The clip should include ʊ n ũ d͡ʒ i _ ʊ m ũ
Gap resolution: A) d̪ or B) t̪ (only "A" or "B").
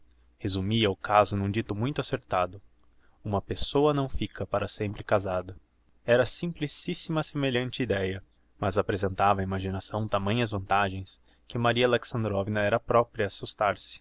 B